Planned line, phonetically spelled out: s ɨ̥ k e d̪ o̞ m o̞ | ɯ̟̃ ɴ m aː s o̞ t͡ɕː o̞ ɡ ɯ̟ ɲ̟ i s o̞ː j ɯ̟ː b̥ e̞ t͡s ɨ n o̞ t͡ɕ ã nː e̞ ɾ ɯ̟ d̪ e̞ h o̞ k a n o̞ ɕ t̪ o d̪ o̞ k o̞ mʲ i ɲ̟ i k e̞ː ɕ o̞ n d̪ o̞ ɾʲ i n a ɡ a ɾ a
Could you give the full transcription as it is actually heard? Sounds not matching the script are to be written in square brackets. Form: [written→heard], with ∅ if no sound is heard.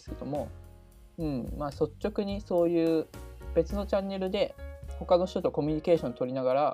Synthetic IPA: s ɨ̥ k e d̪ o̞ m o̞ | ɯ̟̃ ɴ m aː s o̞ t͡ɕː o̞ [ɡ→k] ɯ̟ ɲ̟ i s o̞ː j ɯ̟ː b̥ e̞ t͡s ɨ n o̞ t͡ɕ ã nː e̞ ɾ ɯ̟ d̪ e̞ h o̞ k a n o̞ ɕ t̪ o [d̪→t̪] o̞ k o̞ mʲ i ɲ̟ i k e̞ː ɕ [o̞→õ̞] n [d̪→t̪] o̞ ɾʲ i n a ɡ a ɾ a